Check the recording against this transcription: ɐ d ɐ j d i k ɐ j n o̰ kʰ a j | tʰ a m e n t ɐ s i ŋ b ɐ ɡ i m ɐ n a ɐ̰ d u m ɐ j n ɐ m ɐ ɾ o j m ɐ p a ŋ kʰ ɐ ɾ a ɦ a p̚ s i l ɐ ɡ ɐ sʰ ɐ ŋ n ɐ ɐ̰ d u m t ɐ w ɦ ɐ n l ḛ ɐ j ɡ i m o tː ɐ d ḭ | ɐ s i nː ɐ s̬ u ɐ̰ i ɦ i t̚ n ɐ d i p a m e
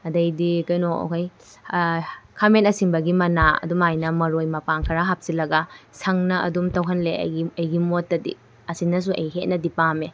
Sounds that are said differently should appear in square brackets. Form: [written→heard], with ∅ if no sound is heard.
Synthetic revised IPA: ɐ d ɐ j d i k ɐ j n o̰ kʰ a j | [tʰ→kʰ] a m e n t ɐ s i ŋ b ɐ ɡ i m ɐ n a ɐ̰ d u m [ɐ→a] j n ɐ m ɐ ɾ o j m ɐ p a ŋ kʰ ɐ ɾ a ɦ a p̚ s i l ɐ ɡ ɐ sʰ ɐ ŋ n ɐ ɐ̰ d u m t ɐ w ɦ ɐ n l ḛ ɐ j ɡ i m o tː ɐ d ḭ | ɐ s i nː ɐ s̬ u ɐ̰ [i→j] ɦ [i→e] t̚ n ɐ d i p a m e